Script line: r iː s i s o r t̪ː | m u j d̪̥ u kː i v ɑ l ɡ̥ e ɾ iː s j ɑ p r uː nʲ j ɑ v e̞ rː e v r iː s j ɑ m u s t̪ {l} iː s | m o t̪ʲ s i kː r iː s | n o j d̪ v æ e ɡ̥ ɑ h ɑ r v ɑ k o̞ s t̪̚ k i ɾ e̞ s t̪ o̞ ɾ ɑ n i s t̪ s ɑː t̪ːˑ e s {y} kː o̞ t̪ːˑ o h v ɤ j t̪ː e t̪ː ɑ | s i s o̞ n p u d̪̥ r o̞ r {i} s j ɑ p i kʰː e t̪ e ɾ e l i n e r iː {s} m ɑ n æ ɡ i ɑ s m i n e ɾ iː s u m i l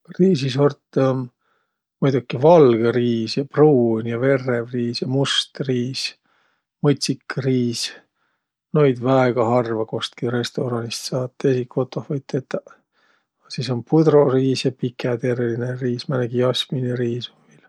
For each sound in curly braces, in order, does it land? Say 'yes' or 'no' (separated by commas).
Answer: no, no, no, yes